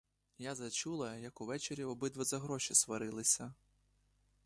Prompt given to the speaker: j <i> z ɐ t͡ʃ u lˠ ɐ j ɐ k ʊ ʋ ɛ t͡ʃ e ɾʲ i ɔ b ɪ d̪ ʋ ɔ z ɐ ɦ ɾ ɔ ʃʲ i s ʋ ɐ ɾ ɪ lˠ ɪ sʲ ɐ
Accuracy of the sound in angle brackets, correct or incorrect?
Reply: incorrect: a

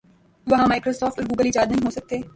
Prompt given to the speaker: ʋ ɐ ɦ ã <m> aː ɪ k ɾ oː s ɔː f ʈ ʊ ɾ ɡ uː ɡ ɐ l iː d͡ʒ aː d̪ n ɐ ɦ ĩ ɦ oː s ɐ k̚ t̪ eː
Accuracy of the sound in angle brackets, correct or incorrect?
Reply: correct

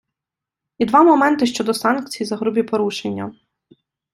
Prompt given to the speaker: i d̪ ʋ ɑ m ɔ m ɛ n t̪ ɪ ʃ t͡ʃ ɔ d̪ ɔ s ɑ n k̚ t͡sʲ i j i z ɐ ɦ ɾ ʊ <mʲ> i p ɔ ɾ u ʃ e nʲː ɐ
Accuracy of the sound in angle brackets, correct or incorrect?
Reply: incorrect: bʲ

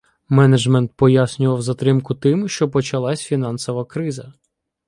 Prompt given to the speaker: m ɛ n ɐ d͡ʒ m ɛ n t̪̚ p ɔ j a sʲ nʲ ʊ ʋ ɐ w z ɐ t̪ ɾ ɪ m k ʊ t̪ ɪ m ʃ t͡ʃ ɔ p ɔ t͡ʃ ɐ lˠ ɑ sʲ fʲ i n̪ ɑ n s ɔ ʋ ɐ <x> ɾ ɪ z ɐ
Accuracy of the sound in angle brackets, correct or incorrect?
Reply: incorrect: k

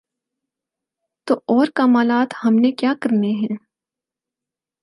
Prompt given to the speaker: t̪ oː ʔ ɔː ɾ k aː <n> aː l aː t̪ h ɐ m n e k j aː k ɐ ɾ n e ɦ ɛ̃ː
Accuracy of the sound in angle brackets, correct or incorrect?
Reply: incorrect: m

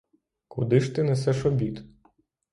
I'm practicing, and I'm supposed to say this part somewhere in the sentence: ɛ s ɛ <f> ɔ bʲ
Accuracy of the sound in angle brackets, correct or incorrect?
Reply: incorrect: ʃ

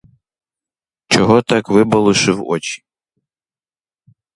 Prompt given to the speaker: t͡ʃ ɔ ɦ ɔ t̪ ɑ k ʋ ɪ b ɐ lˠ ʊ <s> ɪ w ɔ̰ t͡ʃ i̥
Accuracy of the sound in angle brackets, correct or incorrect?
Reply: incorrect: ʃ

